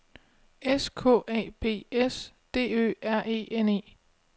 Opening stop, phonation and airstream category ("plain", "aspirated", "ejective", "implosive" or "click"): aspirated